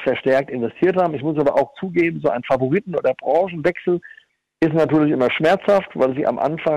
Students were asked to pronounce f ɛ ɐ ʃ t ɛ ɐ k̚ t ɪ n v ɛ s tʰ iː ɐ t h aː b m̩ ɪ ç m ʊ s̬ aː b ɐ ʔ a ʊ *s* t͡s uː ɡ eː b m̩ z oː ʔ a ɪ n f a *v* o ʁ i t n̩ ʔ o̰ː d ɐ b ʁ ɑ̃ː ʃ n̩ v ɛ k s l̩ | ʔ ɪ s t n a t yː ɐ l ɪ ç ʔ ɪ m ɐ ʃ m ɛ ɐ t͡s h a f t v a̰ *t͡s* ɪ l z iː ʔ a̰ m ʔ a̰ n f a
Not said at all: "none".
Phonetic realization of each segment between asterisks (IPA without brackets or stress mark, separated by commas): x, v, none